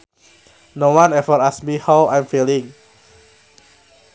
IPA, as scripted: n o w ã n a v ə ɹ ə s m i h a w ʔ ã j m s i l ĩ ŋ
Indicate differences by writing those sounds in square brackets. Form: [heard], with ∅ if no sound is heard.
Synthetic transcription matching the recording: n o w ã n [ɛ] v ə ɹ [a] s m i h a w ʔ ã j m [f] i l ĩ ŋ